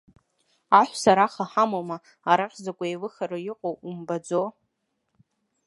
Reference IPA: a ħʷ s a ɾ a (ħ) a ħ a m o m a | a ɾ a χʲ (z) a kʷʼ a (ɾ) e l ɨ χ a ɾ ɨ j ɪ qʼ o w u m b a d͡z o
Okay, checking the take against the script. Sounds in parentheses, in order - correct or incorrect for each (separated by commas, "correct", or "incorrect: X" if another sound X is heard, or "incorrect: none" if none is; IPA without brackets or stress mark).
incorrect: χ, correct, incorrect: none